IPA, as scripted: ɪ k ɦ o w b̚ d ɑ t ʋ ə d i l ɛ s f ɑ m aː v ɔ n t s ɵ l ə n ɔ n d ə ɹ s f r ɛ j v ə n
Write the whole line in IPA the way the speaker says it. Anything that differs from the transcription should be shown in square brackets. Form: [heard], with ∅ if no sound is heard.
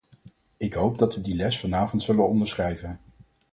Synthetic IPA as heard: ɪ k ɦ o w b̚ d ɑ t ʋ ə d i l ɛ s f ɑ [n] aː v ɔ n t s ɵ l ə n ɔ n d ə ɹ s [χ] r ɛ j v ə n

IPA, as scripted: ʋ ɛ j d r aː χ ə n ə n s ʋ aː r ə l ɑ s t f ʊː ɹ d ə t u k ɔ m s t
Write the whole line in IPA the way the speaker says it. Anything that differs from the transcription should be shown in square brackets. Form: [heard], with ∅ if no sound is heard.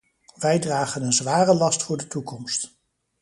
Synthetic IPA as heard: ʋ ɛ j d r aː χ ə n ə n [z] ʋ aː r ə l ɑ s t f ʊː ɹ d ə t u k ɔ m s t

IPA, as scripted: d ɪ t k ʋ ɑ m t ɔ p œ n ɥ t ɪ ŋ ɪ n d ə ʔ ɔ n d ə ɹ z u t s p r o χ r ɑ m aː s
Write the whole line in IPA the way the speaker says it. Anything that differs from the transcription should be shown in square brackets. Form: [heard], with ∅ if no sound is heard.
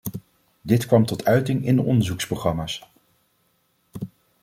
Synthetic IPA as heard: d ɪ t k ʋ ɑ m t ɔ [t] œ [∅] ɥ t ɪ ŋ ɪ n d ə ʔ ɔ n d ə ɹ z u [k] s p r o χ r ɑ m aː s

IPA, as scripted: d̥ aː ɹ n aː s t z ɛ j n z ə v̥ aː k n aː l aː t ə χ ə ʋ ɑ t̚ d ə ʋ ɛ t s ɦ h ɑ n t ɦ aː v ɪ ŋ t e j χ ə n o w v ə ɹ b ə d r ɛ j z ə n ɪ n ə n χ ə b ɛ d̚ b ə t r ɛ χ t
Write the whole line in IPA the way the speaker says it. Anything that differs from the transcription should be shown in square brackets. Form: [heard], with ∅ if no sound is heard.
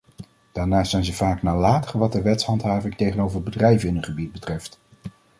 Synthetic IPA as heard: d̥ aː ɹ n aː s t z ɛ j n z ə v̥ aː k n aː l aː t ə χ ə ʋ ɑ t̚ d ə ʋ ɛ t s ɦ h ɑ n t ɦ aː v ɪ ŋ t e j χ ə n o w v ə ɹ b ə d r ɛ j [v] ə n ɪ n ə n χ ə b [i] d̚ b ə t r ɛ [f] t

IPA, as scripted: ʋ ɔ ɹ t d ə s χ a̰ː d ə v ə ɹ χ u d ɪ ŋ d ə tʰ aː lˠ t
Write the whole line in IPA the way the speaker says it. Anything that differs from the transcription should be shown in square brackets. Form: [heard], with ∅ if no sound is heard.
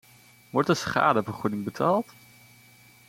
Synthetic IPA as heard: ʋ ɔ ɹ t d ə s χ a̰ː d ə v ə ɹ χ u d ɪ ŋ [b] ə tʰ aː lˠ t

